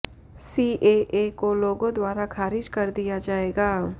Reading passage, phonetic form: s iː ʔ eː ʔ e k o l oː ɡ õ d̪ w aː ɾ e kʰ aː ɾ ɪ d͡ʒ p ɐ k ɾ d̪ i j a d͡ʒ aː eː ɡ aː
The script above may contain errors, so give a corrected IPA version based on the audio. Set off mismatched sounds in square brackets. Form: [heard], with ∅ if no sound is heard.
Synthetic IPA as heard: s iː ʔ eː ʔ e k o l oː ɡ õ d̪ w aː ɾ [a] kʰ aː ɾ ɪ d͡ʒ [k] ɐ [∅] ɾ d̪ i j a d͡ʒ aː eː ɡ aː